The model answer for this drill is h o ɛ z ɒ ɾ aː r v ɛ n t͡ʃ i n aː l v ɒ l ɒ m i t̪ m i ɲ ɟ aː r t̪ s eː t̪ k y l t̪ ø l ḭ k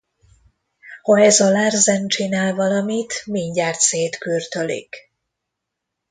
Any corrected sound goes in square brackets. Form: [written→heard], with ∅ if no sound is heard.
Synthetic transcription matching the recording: h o ɛ z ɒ [ɾ→l] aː r [v→z] ɛ n t͡ʃ i n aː l v ɒ l ɒ m i t̪ m i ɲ ɟ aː r t̪ s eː t̪ k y [l→r] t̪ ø l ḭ k